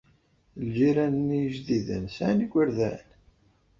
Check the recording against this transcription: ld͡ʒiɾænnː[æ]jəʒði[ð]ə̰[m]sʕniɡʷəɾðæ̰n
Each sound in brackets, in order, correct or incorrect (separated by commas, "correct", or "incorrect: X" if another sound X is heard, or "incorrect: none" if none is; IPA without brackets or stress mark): incorrect: i, correct, incorrect: n